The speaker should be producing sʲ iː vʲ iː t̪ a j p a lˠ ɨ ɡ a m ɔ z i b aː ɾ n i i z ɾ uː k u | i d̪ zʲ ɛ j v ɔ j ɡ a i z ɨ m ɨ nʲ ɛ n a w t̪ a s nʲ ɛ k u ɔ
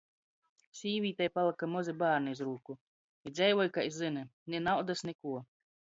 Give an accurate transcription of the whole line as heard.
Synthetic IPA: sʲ iː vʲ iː t̪ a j p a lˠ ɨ k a m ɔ z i b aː ɾ n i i z ɾ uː k u | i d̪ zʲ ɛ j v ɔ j k a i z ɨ n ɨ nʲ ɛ n a w d̪ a s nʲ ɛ k u ɔ

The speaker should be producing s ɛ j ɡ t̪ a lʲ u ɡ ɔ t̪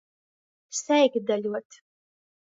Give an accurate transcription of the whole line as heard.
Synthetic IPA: s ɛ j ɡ d̪ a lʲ u ɔ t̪

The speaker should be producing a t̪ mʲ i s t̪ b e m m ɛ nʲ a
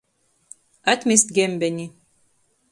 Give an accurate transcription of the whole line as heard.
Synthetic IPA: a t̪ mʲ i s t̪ ɡ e m b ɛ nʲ i

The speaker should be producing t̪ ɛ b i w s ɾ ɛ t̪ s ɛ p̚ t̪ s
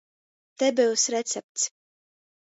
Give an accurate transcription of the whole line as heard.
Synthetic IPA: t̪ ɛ b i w s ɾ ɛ t̪ s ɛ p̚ t̪ s

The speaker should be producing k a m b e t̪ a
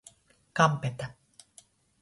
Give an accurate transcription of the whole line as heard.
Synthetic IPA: k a m p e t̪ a

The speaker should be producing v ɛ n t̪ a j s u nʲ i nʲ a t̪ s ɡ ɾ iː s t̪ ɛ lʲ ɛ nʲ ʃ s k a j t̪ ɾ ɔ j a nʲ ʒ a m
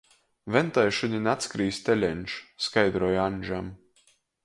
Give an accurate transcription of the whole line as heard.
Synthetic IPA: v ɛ n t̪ a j ʃ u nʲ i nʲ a t̪ s k ɾ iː s t̪ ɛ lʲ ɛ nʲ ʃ s k a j d̪ ɾ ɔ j a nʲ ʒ a m

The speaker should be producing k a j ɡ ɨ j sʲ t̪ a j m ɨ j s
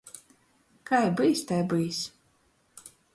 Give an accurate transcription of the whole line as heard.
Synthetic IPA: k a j b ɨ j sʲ t̪ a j b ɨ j s

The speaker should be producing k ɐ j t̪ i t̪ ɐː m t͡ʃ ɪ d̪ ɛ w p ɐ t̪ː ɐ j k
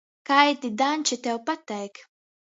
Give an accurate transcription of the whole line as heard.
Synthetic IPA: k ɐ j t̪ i d̪ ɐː n t͡ʃ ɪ t̪ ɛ w p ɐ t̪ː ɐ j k

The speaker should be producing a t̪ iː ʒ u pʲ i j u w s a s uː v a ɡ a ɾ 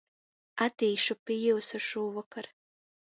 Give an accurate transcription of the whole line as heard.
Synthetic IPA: a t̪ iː ʃ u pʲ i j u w s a ʃ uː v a k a ɾ

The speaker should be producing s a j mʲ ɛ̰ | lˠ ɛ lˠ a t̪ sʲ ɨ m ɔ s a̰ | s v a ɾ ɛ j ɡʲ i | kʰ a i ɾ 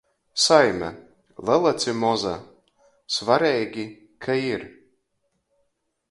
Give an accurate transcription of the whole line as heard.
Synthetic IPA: s a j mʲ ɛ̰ | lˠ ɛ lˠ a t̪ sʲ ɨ m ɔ z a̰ | s v a ɾ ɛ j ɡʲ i | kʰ a i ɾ

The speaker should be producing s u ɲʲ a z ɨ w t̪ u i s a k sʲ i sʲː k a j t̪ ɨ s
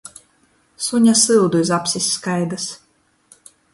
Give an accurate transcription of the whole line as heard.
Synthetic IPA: s u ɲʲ a s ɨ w d̪ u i z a p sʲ i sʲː k a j d̪ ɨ s

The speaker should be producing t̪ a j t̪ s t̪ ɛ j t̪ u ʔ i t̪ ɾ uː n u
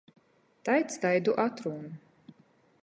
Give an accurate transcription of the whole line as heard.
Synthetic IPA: t̪ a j t̪ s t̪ a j d̪ u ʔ a t̪ ɾ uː n u

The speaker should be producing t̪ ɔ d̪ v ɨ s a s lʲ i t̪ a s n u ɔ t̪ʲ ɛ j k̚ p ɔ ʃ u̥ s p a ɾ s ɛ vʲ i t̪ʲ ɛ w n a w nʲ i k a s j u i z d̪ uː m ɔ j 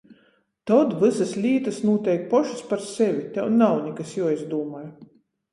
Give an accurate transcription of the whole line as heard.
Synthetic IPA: t̪ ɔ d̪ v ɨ s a s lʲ iː t̪ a s n u ɔ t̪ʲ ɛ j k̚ p ɔ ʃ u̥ s p a ɾ s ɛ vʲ i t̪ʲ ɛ w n a w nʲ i k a s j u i z d̪ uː m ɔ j

